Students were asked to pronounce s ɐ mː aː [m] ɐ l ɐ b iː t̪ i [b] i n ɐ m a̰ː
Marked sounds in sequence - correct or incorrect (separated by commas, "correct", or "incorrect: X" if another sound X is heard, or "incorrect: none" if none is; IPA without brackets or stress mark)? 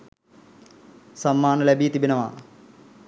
incorrect: n, correct